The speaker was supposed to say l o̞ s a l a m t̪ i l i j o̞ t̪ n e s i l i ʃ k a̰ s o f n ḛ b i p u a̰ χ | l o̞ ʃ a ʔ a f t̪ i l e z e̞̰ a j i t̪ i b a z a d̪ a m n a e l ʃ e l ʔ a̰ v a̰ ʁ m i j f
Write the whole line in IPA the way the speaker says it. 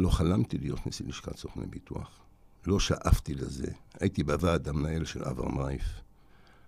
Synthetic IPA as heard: l o̞ χ a l a m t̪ i l i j o̞ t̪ n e s i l i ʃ k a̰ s o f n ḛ b i t u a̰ χ | l o̞ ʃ a ʔ a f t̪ i l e z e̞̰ a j i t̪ i b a v a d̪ a m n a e l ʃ e l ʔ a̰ v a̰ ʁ m a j f